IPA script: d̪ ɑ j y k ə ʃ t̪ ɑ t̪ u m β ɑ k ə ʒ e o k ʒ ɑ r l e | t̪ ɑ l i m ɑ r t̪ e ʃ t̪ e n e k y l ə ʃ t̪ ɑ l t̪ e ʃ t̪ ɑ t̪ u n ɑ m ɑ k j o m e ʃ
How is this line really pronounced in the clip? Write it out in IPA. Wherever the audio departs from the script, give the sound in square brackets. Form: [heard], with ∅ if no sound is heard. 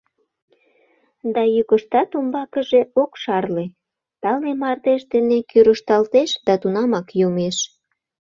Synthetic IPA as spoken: d̪ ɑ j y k ə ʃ t̪ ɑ t̪ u m [b] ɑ k ə ʒ e o k [ʃ] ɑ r l e | t̪ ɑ l [e] m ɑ r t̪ e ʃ [d̪] e n e k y [ɾ] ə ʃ t̪ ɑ l t̪ e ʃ [d̪] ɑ t̪ u n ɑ m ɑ k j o m e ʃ